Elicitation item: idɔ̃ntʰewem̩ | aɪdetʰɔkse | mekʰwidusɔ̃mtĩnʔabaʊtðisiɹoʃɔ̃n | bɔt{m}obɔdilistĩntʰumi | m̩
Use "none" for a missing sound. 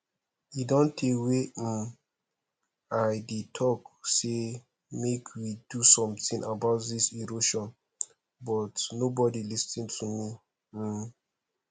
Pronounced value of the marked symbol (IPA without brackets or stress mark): n